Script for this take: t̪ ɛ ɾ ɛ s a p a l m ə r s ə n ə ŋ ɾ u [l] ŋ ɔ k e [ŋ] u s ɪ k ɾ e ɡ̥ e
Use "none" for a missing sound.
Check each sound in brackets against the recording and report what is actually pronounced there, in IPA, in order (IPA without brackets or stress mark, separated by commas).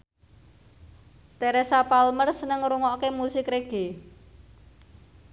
none, m